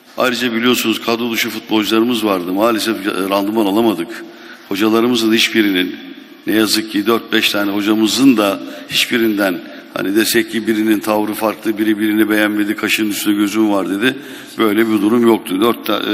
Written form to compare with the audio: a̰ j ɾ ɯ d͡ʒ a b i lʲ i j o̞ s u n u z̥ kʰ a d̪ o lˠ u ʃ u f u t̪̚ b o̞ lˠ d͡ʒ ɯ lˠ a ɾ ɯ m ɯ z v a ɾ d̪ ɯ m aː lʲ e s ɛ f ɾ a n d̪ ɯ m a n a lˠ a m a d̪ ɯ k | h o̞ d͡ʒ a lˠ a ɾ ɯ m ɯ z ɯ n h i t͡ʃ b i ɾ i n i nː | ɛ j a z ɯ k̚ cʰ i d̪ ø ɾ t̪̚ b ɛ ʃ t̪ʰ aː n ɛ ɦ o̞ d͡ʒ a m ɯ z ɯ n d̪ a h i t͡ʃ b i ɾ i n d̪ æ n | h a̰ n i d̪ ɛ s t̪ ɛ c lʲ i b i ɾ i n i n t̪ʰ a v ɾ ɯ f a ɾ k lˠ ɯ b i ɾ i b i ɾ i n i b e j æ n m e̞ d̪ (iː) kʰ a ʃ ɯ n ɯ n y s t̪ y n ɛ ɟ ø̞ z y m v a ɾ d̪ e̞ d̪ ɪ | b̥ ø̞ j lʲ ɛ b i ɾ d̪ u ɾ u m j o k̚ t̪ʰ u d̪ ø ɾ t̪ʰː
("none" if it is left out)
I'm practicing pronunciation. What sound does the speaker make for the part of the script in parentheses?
i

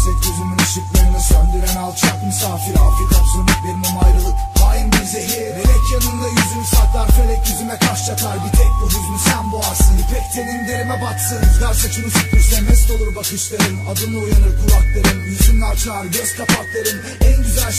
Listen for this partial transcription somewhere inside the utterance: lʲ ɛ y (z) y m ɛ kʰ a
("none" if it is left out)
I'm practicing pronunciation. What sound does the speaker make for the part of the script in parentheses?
z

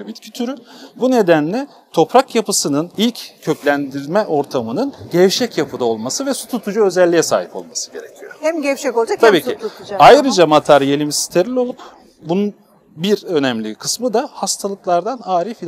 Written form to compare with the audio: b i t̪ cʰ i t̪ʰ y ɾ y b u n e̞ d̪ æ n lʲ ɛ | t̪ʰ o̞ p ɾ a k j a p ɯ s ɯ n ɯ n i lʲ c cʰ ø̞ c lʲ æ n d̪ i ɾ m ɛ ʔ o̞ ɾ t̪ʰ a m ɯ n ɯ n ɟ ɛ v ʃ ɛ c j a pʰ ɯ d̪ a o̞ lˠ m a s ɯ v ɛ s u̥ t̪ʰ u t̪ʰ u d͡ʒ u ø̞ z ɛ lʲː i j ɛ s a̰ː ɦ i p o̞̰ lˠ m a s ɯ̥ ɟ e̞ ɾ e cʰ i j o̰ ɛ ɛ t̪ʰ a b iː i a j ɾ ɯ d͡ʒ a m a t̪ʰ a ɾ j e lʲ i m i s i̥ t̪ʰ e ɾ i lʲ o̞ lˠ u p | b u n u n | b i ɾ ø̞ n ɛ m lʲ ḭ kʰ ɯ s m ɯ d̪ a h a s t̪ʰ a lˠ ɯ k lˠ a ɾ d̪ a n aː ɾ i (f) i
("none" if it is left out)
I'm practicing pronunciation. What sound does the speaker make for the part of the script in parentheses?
f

